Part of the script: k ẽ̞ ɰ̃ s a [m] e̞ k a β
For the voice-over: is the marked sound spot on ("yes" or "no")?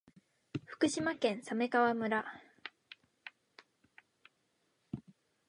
yes